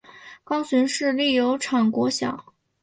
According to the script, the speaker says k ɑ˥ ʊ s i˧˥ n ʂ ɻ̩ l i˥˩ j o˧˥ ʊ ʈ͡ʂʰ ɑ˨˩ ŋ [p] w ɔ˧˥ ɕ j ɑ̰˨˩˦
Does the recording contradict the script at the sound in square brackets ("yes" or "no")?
yes